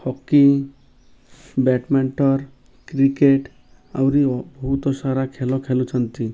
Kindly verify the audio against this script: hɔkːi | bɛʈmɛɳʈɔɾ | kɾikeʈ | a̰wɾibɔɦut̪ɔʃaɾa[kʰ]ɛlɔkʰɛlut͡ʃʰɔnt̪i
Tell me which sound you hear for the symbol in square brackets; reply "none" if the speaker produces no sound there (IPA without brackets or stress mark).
kʰ